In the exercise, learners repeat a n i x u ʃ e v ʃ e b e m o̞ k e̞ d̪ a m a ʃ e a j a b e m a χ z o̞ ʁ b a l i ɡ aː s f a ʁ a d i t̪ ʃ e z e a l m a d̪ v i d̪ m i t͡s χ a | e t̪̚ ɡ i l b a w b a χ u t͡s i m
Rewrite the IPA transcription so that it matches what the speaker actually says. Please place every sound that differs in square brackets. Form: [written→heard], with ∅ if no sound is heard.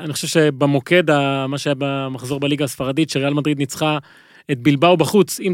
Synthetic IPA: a n i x [u→o] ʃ e v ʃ e b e m o̞ k e̞ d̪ a m a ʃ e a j a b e m a χ z o̞ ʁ b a l i ɡ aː s f a ʁ a d i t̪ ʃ e [z→ʁ] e a l m a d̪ [v→ʁ] i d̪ [m→n] i t͡s χ a | e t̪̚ [ɡ→b] i l b a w b a χ u t͡s i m